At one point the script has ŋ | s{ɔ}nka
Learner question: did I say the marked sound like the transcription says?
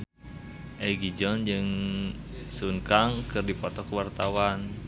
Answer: no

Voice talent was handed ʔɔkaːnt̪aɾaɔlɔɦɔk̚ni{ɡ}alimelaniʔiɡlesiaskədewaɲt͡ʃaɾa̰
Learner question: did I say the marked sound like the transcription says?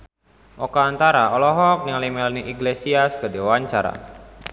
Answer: no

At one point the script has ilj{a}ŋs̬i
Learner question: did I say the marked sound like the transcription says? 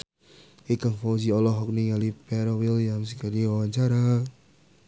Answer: yes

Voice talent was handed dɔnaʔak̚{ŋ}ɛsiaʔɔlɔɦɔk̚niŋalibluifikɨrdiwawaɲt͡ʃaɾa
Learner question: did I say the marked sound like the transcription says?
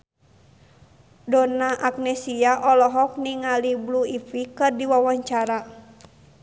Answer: no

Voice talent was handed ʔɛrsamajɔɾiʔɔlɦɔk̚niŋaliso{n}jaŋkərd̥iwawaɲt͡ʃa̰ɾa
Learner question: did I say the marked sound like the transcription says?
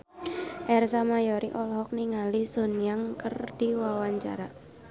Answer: yes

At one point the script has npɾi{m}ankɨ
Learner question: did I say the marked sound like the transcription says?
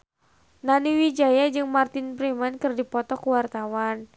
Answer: yes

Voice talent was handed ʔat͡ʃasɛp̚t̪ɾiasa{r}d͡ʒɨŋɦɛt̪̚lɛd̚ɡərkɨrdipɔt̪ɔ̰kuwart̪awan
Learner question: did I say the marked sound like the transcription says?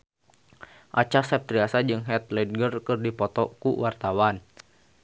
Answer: no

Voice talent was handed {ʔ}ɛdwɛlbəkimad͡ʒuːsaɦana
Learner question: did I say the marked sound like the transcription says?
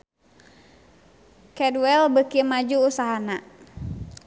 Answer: no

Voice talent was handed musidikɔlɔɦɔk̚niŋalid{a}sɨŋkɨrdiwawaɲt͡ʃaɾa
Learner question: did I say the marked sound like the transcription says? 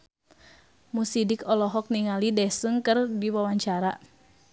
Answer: no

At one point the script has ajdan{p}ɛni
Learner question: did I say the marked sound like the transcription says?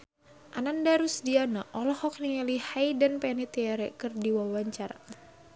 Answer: yes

